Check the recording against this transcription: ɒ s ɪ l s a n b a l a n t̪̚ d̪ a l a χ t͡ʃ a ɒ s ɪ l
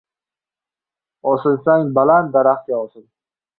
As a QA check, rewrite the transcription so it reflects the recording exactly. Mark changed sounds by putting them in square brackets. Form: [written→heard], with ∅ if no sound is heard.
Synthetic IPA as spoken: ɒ s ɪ l s a [n→ŋ] b a l a n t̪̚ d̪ a [l→ɾ] a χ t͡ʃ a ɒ s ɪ l

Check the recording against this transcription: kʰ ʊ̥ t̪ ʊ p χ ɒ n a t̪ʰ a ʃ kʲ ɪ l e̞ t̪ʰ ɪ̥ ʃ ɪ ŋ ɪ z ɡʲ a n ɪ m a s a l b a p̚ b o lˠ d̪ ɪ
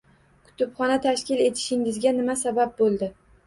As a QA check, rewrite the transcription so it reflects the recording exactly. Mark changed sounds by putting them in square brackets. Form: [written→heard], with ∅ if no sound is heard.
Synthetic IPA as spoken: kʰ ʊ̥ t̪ ʊ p χ ɒ n a t̪ʰ a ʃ kʲ ɪ l e̞ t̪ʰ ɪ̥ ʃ ɪ ŋ ɪ z ɡʲ a n ɪ m a s a [l→∅] b a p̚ b o lˠ d̪ ɪ

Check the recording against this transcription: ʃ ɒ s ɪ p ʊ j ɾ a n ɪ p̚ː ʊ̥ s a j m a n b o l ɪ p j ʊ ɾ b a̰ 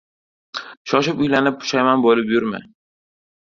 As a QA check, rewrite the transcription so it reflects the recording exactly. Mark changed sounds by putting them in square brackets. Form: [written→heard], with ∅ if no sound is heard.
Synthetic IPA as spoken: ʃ ɒ [s→ʃ] ɪ p ʊ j [ɾ→l] a n ɪ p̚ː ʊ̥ [s→ʃ] a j m a n b o l ɪ p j ʊ ɾ [b→m] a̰

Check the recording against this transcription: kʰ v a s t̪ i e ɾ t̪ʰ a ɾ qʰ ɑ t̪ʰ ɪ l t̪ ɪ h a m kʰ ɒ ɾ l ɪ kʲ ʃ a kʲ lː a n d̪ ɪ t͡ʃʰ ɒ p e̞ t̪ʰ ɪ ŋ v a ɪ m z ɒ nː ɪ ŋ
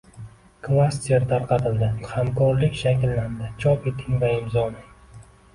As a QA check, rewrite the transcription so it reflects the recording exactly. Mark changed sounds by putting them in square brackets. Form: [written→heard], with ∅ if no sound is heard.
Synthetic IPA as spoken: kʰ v a s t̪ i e ɾ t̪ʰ a ɾ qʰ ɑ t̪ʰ ɪ l [t̪→d̪] ɪ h a m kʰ ɒ ɾ l ɪ kʲ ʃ a kʲ lː a n d̪ ɪ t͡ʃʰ ɒ p e̞ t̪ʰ ɪ ŋ v a ɪ m z ɒ [nː→n] ɪ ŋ

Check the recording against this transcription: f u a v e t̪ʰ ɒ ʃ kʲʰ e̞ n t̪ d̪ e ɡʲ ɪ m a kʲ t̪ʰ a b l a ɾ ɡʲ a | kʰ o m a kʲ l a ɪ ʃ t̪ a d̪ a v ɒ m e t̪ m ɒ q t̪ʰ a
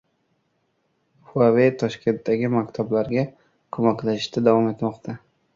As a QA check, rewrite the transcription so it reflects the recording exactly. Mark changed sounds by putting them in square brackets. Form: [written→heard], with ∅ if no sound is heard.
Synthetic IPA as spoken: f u a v e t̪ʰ ɒ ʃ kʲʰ e̞ n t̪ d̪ [e→a] ɡʲ ɪ m a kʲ t̪ʰ a b l a ɾ ɡʲ a | kʰ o m a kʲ l a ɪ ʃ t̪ a d̪ a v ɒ m e t̪ m ɒ q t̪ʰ a

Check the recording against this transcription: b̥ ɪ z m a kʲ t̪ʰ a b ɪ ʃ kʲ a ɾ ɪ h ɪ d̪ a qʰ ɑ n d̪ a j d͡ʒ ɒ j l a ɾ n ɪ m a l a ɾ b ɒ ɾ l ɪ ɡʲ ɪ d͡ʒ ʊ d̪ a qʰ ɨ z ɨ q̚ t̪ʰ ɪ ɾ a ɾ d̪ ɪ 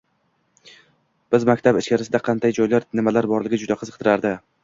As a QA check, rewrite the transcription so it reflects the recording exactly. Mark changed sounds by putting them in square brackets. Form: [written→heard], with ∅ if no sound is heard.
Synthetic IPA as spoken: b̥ ɪ z m a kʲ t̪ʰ a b ɪ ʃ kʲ a ɾ ɪ [h→s] ɪ d̪ a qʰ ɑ n d̪ a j d͡ʒ ɒ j l a ɾ n ɪ m a l a ɾ b ɒ ɾ l ɪ ɡʲ ɪ d͡ʒ ʊ d̪ a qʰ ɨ z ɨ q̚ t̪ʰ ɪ ɾ a ɾ d̪ ɪ

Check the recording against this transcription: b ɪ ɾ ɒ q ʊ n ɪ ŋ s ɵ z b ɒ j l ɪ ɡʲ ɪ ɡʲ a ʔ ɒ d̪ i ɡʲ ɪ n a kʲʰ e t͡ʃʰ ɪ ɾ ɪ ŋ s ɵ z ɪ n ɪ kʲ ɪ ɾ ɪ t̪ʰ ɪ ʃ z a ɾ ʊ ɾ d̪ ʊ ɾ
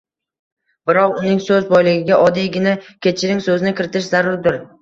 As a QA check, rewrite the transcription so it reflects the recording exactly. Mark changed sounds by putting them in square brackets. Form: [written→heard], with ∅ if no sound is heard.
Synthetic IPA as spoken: b ɪ ɾ ɒ q ʊ n ɪ ŋ s ɵ z b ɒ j l ɪ ɡʲ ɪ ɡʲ a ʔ ɒ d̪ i ɡʲ ɪ n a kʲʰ e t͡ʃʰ ɪ ɾ ɪ ŋ s ɵ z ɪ n ɪ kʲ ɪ ɾ ɪ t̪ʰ ɪ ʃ z a ɾ ʊ ɾ d̪ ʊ ɾ

